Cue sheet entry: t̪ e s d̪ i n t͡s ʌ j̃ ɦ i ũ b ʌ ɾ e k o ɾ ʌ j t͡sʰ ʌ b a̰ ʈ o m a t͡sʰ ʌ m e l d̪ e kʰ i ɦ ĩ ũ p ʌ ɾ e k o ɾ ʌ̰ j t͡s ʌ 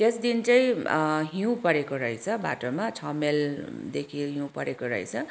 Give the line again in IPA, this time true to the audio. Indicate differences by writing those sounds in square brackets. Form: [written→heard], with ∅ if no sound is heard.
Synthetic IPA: t̪ e s d̪ i n t͡s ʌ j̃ ɦ i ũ [b→p] ʌ ɾ e k o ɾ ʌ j t͡sʰ ʌ b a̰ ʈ o m a t͡sʰ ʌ m e l d̪ e kʰ i ɦ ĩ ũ p ʌ ɾ e k o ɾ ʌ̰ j [t͡s→t͡sʰ] ʌ